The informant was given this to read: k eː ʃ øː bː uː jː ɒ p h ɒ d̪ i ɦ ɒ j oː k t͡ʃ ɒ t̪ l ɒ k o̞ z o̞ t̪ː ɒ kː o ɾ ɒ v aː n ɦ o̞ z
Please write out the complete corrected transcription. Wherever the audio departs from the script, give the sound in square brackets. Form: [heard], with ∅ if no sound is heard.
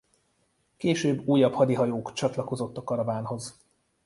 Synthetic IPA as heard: k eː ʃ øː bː uː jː ɒ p h ɒ d̪ i ɦ ɒ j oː k t͡ʃ ɒ t̪ l ɒ k o̞ z o̞ t̪ː ɒ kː [ɒ] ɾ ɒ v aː n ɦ o̞ z